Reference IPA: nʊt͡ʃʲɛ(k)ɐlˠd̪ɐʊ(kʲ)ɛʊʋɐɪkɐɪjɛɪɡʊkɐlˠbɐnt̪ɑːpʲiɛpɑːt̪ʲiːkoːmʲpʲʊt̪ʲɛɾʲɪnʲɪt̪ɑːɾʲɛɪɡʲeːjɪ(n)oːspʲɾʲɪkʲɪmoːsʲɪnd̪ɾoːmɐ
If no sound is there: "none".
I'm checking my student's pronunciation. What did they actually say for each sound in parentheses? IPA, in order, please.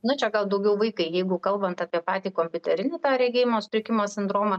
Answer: ɡ, ɡʲ, m

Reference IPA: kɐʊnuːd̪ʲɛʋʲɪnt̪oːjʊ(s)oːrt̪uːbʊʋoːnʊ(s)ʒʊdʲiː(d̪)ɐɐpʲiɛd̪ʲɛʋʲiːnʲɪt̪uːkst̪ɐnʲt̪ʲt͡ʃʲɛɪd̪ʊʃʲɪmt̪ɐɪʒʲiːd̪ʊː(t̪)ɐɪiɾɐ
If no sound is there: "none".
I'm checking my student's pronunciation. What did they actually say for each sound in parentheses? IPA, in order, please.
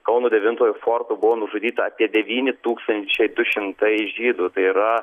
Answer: f, none, t̪, t̪

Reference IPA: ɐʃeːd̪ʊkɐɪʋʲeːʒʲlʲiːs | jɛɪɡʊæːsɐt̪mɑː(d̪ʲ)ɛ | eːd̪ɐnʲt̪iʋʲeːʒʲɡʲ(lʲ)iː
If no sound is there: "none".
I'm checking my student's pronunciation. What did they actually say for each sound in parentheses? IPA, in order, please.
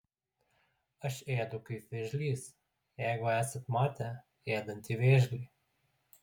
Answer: t̪ʲ, lʲ

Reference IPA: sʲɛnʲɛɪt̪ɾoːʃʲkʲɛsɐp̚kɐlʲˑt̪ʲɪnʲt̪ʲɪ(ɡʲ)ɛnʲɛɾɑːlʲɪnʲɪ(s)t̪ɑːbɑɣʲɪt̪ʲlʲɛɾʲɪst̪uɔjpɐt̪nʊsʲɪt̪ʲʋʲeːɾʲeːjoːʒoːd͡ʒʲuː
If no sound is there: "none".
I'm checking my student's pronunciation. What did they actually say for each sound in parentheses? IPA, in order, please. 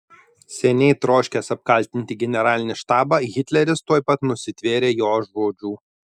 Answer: ɡʲ, ʃ

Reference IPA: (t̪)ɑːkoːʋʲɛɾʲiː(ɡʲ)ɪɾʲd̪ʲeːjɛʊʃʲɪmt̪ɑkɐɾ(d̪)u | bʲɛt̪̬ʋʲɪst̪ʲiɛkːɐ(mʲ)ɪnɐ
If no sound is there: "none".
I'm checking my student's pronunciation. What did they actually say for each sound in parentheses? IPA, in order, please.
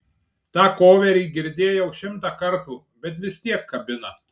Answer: t̪, ɡʲ, t̪, bʲ

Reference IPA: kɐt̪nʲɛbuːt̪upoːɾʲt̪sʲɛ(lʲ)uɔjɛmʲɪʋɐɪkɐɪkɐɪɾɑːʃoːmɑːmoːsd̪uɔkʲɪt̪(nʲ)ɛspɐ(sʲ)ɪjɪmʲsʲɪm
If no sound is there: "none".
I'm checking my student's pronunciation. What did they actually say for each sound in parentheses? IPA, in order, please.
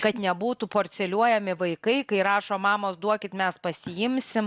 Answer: lʲ, mʲ, sʲ

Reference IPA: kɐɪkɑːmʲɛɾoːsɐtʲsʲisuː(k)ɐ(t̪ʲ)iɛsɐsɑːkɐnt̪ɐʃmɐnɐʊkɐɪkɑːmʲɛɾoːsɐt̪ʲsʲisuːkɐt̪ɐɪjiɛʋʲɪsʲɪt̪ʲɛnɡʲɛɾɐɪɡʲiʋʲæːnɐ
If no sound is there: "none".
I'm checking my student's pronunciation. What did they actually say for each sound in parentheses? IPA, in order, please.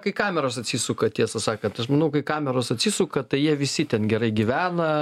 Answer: k, t̪ʲ

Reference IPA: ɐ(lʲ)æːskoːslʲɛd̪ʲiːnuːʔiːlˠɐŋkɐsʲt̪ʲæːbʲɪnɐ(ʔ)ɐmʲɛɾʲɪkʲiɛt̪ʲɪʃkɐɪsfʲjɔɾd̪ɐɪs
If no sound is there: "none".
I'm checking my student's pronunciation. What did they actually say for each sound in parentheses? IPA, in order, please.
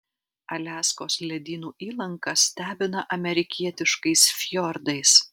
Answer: lʲ, ʔ

